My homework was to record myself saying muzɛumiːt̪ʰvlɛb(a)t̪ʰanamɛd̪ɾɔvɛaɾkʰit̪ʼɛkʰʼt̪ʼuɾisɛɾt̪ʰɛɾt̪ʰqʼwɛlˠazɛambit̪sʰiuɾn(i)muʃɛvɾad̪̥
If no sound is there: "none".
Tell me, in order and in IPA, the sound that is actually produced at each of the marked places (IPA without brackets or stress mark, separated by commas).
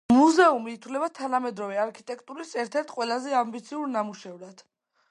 a, a